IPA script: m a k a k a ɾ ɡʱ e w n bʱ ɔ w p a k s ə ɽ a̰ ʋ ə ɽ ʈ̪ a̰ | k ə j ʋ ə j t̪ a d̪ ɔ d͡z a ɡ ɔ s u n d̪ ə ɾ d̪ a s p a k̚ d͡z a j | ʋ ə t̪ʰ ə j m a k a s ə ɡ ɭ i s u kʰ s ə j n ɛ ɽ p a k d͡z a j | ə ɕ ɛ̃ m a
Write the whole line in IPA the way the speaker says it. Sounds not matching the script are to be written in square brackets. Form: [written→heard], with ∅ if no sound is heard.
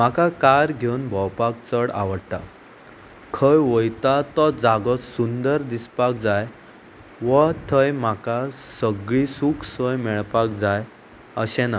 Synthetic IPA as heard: m a k a k a ɾ ɡʱ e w n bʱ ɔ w p a k [s→t͡s] ə ɽ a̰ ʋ ə ɽ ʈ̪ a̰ | [k→kʰ] ə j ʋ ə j t̪ a [d̪→t̪] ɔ d͡z a ɡ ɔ s u n d̪ ə ɾ d̪ [a→i] s p a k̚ d͡z a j | ʋ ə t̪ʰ ə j m a k a s ə ɡ ɭ i s u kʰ s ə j [n→m] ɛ [ɽ→ɭ] p a k d͡z a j | ə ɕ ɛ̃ [m→n] a